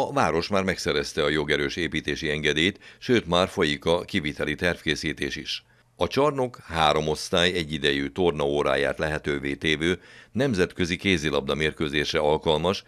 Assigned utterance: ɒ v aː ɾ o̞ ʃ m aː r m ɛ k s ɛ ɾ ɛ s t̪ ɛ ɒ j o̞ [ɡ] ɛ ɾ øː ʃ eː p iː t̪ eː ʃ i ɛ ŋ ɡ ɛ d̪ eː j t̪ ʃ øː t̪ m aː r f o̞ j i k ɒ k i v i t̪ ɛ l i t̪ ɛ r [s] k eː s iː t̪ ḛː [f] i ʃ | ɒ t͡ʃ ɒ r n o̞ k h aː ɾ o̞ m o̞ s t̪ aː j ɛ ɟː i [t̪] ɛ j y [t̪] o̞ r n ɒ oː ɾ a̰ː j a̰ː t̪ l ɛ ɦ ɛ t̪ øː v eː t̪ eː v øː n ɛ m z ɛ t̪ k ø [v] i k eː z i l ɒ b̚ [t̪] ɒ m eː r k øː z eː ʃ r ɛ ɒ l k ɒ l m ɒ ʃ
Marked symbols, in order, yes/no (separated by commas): yes, no, no, no, yes, no, no